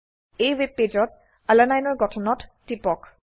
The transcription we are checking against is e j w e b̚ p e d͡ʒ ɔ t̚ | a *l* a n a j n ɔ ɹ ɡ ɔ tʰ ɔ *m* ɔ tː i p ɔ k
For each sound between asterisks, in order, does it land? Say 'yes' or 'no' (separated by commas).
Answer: yes, no